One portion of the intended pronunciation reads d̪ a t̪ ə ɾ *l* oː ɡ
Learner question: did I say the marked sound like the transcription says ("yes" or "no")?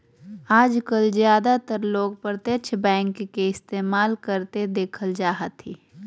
yes